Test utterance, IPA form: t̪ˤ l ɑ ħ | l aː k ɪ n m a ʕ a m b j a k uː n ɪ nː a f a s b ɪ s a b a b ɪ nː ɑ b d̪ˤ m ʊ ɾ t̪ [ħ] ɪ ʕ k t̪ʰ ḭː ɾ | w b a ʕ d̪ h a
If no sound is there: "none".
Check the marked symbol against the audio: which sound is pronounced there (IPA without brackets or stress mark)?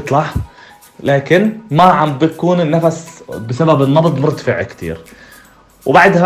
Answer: f